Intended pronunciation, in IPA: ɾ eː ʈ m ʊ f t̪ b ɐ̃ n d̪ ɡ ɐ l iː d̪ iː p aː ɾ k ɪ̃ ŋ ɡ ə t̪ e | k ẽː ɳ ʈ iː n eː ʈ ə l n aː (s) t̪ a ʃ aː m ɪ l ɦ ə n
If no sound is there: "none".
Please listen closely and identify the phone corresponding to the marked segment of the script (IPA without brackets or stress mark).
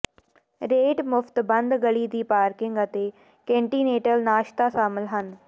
ʃ